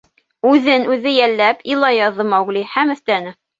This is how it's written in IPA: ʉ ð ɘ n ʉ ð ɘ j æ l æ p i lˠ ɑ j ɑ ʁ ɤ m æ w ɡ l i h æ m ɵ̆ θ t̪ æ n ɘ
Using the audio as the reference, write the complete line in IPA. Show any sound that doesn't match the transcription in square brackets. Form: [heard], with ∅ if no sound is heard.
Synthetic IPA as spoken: ʉ ð ɘ n ʉ ð ɘ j æ [lː] æ p i lˠ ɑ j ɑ [ð] ɤ m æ w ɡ l i h æ m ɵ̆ θ t̪ æ n ɘ